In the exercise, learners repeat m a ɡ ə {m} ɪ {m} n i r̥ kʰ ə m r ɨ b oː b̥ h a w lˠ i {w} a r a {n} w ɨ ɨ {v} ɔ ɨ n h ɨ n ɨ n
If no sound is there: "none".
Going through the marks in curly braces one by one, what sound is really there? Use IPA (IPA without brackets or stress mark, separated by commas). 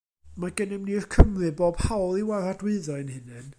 n, m, w, d, ð